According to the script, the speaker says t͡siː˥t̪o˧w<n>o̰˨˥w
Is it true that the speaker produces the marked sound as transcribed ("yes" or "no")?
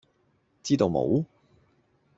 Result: no